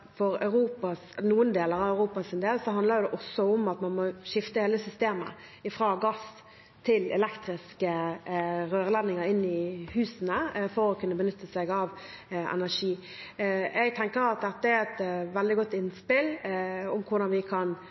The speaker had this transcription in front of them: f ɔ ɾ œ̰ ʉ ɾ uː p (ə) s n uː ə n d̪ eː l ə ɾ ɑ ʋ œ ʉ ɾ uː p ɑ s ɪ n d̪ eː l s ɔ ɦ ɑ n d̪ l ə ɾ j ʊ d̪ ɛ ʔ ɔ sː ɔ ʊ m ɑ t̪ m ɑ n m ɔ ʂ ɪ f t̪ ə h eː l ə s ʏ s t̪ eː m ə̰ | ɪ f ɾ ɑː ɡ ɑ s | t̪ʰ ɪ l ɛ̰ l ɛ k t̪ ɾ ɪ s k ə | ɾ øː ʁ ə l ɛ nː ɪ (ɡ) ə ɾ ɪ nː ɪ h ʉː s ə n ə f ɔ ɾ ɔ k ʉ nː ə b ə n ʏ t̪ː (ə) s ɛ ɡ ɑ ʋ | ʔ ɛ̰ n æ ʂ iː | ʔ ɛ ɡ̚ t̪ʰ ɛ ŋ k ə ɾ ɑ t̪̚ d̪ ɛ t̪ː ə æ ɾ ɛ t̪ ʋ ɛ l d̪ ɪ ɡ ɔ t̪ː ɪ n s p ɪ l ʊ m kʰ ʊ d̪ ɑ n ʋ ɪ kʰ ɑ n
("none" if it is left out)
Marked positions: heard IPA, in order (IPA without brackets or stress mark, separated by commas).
ɑ, ŋ, ə